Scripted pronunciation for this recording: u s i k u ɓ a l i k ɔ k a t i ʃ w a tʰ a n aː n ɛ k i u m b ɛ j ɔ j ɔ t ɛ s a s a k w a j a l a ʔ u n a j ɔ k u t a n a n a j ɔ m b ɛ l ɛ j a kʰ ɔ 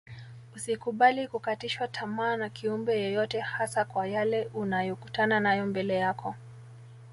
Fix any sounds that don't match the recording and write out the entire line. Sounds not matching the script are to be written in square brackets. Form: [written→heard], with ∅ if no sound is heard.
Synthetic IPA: u s i k u ɓ a l i k [ɔ→u] k a t i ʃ w a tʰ a [n→m] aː n [ɛ→a] k i u m b ɛ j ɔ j ɔ t ɛ [s→h] a s a k w a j a l [a→ɛ] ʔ u n a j ɔ k u t a n a n a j ɔ m b ɛ l ɛ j a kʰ ɔ